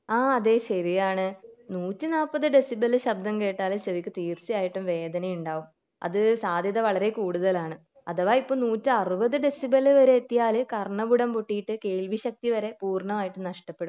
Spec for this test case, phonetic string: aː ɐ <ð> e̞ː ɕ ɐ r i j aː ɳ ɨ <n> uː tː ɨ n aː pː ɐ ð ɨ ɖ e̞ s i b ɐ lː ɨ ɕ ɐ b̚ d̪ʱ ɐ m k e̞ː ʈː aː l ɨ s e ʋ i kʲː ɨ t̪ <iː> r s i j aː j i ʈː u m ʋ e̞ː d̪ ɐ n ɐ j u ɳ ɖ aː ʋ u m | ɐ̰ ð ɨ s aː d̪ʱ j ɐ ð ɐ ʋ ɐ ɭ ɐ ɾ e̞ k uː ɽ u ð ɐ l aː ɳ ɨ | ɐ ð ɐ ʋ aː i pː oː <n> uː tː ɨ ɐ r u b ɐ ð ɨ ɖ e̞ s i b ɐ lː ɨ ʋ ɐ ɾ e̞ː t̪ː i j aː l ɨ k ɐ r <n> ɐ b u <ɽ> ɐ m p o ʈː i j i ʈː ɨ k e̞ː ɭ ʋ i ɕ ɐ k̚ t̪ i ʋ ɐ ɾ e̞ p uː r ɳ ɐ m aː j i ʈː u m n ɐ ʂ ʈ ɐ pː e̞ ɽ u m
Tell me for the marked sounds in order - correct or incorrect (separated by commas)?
correct, correct, correct, correct, incorrect, correct